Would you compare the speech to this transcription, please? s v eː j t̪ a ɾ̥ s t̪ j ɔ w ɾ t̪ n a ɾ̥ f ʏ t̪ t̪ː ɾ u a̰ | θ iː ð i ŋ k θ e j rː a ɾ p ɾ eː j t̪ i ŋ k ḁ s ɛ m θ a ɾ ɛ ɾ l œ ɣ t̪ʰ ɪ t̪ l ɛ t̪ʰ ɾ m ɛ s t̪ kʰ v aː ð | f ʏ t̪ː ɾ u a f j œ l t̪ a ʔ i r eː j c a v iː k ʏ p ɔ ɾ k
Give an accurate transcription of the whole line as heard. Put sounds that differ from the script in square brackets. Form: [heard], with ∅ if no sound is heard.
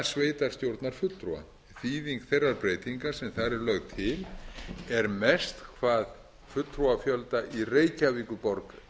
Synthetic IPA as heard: s v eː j t̪ a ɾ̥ s t̪ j [o] w ɾ t̪ n a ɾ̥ f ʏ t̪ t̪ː ɾ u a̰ | θ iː ð i ŋ k θ e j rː a ɾ p ɾ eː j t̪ i ŋ k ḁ s ɛ m θ a ɾ ɛ ɾ l œ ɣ t̪ʰ ɪ [∅] l ɛ [∅] ɾ m ɛ s t̪ kʰ v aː ð | f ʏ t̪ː ɾ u a f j œ l t̪ a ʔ i r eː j c a v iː k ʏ p ɔ ɾ k